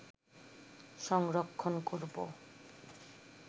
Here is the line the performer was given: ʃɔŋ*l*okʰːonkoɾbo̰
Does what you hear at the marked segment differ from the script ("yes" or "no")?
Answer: yes